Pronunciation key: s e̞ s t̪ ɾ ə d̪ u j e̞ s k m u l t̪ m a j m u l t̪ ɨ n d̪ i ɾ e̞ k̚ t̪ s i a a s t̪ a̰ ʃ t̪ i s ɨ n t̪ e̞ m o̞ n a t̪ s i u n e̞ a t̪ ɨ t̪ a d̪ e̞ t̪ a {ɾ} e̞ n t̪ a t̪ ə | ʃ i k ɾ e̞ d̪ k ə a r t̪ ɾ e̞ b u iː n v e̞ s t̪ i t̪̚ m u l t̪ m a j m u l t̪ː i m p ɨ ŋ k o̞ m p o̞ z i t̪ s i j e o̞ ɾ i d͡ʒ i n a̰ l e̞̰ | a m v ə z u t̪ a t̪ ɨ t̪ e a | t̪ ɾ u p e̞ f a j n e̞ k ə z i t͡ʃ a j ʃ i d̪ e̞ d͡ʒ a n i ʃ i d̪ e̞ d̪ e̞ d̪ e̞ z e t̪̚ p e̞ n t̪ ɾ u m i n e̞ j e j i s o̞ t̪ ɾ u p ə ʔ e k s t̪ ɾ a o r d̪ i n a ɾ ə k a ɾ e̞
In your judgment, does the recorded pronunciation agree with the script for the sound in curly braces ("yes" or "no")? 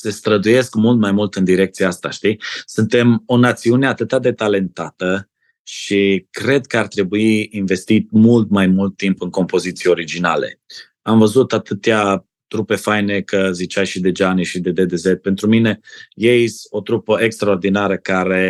no